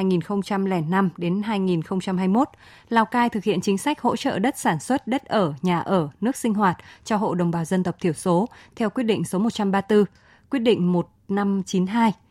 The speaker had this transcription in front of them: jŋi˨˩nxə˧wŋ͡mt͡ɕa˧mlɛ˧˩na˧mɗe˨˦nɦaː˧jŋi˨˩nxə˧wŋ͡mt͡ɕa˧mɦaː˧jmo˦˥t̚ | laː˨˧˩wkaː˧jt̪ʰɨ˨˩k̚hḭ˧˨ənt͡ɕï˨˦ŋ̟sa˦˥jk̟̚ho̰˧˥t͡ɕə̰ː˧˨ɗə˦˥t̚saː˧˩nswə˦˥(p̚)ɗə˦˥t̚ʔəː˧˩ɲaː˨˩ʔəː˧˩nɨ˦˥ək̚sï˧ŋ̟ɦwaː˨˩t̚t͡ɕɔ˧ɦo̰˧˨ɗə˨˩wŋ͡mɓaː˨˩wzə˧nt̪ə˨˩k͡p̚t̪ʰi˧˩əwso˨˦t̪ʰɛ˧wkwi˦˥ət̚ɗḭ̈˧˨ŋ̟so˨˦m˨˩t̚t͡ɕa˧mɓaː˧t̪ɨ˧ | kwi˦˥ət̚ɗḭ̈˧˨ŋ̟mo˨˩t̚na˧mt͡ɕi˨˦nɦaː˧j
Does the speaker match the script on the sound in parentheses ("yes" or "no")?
no